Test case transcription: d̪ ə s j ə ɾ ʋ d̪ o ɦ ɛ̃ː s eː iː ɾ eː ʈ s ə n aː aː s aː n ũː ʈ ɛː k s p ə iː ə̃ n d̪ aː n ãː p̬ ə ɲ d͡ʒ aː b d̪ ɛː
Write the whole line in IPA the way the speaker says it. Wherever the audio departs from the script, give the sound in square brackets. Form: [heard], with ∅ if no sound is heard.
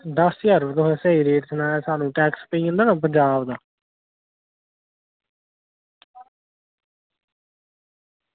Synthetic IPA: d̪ ə s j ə ɾ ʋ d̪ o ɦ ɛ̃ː s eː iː ɾ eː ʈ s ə n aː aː s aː n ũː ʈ ɛː k s p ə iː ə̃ n d̪ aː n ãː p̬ ə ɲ d͡ʒ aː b d̪ [aː]